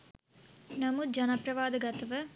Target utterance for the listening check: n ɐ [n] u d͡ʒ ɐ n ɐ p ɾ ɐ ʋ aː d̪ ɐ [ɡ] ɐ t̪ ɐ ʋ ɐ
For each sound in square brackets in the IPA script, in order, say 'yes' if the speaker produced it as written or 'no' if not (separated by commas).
no, yes